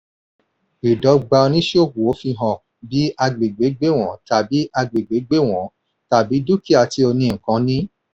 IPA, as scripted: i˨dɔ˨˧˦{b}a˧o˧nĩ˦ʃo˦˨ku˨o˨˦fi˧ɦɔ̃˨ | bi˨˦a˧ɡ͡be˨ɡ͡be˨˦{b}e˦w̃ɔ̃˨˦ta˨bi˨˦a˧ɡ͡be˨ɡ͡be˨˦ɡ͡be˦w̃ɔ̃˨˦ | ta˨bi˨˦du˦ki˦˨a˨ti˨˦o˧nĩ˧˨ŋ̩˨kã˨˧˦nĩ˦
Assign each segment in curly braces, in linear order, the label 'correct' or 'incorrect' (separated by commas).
incorrect, incorrect